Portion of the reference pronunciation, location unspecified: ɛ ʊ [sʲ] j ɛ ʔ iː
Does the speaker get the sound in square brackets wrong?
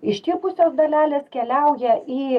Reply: yes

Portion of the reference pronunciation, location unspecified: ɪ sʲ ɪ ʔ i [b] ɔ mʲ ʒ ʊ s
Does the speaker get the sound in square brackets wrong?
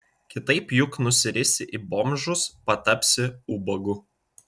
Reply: no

